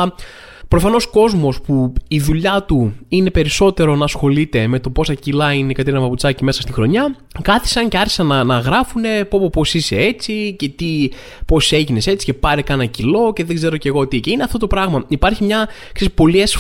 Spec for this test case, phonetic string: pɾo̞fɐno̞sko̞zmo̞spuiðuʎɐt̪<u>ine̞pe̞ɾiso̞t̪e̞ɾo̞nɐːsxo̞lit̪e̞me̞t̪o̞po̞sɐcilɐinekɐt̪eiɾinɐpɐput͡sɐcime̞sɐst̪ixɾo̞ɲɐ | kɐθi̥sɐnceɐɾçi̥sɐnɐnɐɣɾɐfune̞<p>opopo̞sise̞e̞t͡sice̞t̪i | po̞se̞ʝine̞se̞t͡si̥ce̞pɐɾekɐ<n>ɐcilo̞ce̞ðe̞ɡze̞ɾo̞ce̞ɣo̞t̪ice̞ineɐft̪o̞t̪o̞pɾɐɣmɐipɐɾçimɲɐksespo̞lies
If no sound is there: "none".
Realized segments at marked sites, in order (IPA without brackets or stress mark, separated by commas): u, p, n